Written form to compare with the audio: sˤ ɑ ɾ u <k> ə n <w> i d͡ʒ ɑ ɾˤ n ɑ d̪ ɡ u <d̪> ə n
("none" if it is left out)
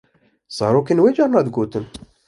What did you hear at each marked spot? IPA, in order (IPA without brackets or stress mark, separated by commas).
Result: k, w, t̪